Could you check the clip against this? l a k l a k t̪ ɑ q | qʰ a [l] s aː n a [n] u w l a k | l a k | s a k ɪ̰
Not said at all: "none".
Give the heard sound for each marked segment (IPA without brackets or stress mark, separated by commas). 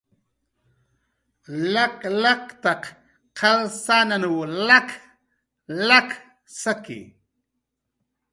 l, n